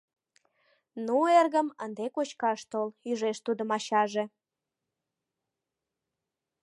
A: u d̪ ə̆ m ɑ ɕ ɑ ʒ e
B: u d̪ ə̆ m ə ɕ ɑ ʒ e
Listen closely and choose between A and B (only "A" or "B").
A